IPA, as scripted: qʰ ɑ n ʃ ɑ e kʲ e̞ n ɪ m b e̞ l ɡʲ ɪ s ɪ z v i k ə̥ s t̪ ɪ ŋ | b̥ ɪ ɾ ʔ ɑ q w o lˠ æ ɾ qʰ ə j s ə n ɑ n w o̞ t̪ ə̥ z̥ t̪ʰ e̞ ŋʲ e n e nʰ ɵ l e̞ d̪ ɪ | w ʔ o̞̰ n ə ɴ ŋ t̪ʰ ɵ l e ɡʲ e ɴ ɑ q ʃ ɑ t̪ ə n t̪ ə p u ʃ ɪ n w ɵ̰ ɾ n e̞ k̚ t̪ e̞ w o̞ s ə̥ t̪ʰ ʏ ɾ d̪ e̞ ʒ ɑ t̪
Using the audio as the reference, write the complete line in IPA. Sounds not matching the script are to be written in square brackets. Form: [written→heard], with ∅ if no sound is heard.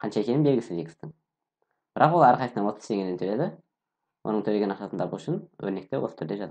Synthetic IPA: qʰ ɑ n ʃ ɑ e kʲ e̞ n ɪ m b e̞ l ɡʲ ɪ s ɪ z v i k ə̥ s t̪ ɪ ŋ | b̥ ɪ ɾ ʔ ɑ q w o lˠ æ ɾ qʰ [ə→ɑ] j s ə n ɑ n w o̞ t̪ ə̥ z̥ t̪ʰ e̞ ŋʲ e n e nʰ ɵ l e̞ d̪ ɪ | w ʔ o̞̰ n ə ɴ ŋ t̪ʰ ɵ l e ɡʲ e [ɴ→n] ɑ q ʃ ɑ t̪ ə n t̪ [ə→ɑ] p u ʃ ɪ n w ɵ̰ ɾ n e̞ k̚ t̪ e̞ w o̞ s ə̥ t̪ʰ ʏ ɾ d̪ e̞ ʒ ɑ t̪